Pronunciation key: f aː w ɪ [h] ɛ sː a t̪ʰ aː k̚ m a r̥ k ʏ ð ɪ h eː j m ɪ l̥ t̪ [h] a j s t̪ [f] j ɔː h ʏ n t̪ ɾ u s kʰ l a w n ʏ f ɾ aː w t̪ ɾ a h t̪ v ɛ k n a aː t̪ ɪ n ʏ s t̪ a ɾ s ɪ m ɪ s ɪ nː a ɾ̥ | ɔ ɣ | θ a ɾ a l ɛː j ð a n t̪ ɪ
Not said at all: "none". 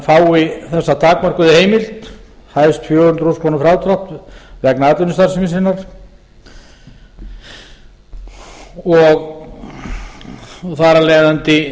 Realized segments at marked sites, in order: θ, h, f

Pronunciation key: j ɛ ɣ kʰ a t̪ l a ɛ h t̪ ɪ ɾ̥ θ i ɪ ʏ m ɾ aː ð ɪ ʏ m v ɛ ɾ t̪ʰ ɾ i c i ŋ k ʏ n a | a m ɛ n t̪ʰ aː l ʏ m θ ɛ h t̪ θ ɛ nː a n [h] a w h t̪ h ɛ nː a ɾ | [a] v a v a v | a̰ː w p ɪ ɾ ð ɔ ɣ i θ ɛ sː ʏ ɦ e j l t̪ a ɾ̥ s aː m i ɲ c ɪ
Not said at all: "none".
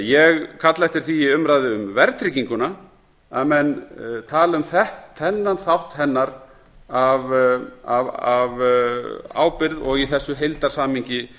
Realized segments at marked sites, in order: θ, a

